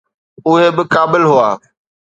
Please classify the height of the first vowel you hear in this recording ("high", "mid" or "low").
high